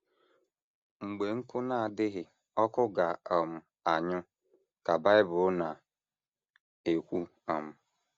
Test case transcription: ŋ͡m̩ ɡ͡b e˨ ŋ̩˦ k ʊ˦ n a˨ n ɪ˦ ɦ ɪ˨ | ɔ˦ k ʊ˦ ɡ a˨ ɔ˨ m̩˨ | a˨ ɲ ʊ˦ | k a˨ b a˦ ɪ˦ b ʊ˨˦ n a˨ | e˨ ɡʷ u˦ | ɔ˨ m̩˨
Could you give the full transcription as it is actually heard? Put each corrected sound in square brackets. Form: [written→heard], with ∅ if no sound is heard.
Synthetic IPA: ŋ͡m̩ ɡ͡b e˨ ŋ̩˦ k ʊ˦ n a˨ [n→d] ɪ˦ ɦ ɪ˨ | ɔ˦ k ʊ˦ ɡ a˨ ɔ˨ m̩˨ | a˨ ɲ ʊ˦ | k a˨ b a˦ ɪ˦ b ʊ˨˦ n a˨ | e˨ [ɡʷ→kʷ] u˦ | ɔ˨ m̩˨